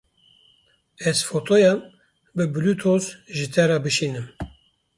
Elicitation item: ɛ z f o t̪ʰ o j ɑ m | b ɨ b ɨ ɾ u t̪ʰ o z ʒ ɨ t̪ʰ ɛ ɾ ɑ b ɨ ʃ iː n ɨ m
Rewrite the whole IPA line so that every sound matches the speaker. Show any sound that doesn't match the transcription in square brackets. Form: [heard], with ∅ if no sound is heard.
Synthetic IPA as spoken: ɛ z f o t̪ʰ o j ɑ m | b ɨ b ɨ [l] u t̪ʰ o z ʒ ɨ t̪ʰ ɛ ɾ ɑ b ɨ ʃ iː n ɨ m